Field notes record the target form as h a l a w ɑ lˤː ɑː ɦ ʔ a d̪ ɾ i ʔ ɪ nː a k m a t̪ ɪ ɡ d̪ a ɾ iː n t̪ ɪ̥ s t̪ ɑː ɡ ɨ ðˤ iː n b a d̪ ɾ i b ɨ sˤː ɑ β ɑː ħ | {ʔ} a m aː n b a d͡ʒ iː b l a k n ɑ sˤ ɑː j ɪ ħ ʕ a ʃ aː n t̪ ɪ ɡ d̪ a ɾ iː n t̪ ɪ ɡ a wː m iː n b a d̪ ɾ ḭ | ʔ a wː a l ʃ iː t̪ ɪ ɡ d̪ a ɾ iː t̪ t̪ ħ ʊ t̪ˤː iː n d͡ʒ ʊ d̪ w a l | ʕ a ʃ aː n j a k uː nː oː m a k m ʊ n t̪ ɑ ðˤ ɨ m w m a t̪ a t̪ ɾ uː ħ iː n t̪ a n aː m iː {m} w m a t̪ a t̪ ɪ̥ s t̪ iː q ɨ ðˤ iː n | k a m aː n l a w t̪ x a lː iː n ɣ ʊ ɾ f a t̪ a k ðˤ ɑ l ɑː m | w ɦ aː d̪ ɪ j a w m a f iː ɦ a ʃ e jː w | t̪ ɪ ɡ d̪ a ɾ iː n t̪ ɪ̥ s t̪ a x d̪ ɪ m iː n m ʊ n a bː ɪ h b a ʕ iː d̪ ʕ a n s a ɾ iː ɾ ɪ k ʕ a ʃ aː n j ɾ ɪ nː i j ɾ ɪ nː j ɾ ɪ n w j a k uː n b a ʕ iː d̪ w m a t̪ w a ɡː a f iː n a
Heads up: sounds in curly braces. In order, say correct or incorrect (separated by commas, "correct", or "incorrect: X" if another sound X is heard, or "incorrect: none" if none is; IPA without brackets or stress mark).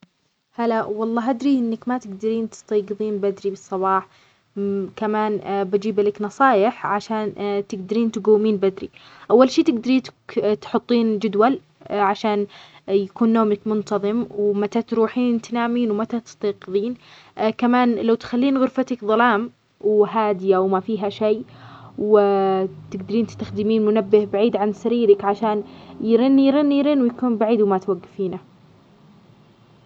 incorrect: k, incorrect: n